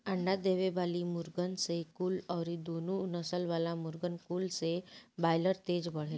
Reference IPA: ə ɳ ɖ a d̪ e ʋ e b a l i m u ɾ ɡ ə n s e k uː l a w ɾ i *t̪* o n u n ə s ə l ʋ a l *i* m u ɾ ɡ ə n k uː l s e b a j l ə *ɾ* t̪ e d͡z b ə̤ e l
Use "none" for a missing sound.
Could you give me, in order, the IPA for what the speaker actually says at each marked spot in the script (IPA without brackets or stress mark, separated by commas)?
d̪, a, ɾ